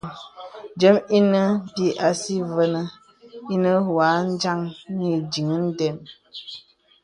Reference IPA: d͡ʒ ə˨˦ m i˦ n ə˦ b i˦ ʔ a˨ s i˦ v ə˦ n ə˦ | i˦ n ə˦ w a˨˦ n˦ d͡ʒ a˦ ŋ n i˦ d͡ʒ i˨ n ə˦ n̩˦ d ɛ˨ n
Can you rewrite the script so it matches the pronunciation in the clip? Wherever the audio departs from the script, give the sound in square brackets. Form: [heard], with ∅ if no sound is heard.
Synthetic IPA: d͡ʒ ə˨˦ m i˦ n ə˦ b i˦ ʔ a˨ s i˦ v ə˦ n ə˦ | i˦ n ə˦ w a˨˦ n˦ d͡ʒ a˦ ŋ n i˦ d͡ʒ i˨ [ŋ] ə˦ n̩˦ d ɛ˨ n